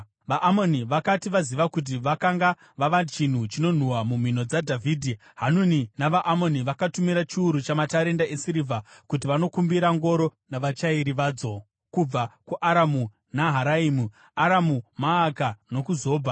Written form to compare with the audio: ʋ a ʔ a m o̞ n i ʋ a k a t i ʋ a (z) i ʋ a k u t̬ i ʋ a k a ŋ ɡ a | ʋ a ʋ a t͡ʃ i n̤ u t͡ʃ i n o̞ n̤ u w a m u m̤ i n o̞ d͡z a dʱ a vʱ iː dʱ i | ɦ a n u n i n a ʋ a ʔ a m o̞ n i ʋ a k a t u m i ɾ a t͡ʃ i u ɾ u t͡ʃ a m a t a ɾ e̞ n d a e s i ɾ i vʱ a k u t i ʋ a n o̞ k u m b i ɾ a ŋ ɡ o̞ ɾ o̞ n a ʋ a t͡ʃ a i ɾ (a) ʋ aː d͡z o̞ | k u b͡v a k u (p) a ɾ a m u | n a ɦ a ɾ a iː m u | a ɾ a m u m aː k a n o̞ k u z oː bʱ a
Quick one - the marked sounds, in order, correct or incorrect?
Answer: correct, incorrect: i, incorrect: ʔ

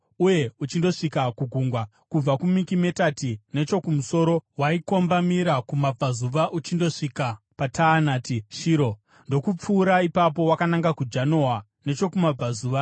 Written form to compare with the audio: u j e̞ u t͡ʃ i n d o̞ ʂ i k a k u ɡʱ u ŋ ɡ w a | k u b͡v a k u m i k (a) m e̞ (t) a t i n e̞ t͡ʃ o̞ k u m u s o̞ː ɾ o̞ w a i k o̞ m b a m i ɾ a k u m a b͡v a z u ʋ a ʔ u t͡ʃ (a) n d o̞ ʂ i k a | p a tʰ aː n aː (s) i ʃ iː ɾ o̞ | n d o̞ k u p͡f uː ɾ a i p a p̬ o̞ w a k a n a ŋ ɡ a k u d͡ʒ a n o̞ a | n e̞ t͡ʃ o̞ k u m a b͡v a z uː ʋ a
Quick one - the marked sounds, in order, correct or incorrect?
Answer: incorrect: i, correct, incorrect: i, incorrect: t

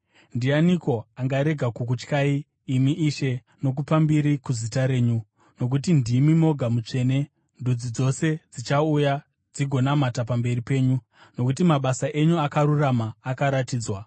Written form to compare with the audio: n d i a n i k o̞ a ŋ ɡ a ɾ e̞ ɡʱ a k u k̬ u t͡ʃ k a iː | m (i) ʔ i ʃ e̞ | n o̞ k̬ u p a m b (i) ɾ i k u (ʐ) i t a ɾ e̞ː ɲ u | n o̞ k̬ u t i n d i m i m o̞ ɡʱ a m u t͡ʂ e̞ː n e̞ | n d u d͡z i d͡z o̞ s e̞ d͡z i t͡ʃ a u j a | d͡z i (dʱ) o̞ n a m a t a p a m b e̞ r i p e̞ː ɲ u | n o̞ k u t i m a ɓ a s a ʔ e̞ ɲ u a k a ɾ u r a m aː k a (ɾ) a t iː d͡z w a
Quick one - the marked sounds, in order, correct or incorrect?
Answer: correct, correct, incorrect: z, incorrect: ɡʱ, correct

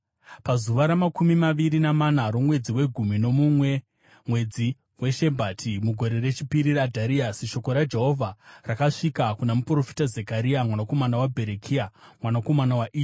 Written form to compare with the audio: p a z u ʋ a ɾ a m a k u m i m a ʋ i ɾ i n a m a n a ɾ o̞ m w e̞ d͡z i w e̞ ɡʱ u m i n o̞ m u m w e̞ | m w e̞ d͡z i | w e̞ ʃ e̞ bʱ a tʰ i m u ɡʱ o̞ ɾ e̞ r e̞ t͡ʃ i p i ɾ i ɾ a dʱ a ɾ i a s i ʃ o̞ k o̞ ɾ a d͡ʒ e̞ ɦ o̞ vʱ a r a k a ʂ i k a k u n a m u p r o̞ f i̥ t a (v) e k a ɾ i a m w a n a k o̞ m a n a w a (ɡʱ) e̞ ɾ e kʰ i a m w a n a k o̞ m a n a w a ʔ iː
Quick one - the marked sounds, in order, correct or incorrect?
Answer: incorrect: z, incorrect: bʱ

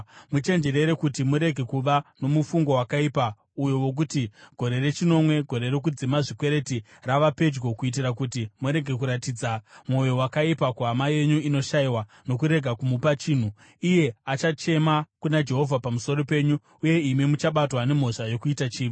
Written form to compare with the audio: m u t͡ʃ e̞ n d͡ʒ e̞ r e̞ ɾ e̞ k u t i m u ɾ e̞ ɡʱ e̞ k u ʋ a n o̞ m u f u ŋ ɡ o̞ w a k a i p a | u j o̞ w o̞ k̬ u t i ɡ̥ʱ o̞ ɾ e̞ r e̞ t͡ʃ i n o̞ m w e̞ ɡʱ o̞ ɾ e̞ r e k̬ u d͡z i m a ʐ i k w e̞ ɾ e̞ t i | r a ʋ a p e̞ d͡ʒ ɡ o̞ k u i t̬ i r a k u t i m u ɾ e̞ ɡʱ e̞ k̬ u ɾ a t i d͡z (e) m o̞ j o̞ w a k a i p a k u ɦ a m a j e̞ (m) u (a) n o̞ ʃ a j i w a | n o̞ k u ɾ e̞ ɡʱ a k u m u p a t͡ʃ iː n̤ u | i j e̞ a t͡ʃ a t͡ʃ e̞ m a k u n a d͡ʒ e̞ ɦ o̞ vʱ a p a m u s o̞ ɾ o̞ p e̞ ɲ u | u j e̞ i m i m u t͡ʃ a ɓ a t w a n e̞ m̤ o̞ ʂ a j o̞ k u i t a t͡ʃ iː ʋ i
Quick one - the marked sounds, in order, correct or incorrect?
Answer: incorrect: a, incorrect: ɲ, incorrect: i

